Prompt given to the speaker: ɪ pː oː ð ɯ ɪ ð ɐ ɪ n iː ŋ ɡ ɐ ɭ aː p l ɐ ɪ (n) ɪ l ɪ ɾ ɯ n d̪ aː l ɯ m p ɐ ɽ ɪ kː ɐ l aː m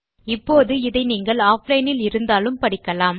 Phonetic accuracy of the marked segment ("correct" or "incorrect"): correct